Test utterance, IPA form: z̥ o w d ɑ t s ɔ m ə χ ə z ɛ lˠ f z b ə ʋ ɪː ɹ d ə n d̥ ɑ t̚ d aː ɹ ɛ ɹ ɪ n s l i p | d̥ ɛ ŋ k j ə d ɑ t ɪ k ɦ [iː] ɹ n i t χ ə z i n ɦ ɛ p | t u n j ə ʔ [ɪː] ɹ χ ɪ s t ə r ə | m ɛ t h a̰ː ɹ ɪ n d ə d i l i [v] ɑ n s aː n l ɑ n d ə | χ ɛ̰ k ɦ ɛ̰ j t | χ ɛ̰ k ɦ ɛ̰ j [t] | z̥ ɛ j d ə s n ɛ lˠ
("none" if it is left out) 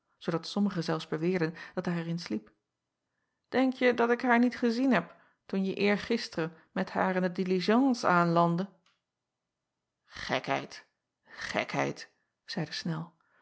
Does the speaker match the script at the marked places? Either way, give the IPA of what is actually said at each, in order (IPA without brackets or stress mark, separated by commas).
aː, ɪː, ʒ, t